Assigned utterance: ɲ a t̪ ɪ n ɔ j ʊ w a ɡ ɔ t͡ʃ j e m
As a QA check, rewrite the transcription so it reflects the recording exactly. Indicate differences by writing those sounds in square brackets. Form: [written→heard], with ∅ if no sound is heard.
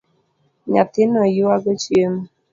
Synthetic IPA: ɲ a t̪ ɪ n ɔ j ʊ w a ɡ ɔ t͡ʃ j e m